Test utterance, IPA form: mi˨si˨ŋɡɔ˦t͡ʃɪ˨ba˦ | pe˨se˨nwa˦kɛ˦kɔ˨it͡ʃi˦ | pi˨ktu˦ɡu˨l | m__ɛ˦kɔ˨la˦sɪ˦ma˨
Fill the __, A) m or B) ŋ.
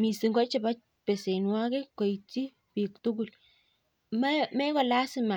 A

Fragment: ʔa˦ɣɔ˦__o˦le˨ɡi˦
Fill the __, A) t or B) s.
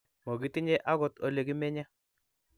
A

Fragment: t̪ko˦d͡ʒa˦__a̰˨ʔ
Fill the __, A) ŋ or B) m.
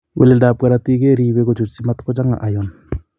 A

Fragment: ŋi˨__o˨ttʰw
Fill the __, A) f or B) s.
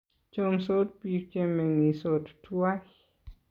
B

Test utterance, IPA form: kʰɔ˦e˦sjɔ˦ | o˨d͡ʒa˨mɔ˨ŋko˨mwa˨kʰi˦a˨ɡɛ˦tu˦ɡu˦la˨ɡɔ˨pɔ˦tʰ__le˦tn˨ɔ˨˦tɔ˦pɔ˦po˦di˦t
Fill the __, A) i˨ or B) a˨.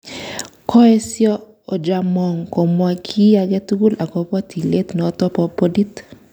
A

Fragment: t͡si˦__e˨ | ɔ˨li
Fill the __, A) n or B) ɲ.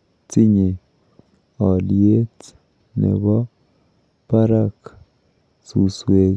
B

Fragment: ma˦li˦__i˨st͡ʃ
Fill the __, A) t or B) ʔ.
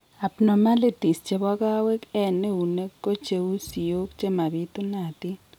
A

